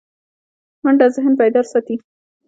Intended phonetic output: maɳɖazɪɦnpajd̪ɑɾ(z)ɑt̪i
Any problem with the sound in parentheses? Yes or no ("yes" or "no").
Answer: yes